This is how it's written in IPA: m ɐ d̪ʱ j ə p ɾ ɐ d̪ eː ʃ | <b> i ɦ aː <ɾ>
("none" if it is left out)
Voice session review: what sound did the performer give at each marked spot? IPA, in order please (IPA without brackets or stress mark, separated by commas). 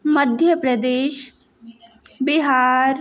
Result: b, ɾ